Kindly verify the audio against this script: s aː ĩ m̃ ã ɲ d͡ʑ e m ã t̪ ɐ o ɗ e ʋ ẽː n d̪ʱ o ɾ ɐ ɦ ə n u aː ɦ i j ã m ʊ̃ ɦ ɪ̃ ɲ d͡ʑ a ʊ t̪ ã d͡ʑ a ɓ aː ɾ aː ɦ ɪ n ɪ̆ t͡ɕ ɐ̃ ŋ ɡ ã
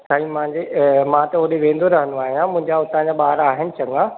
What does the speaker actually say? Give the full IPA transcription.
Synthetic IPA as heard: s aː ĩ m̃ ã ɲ d͡ʑ e m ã t̪ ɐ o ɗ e ʋ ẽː n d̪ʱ o ɾ ɐ ɦ ə n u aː ɦ i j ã m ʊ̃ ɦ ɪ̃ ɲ d͡ʑ a ʊ t̪ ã d͡ʑ a ɓ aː ɾ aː ɦ ɪ n ɪ̆ t͡ɕ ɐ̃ ŋ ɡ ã